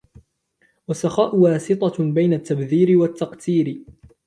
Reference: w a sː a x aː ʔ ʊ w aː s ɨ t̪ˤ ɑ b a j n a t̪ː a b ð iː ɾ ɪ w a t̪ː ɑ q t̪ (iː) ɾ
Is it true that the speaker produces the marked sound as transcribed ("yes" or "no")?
yes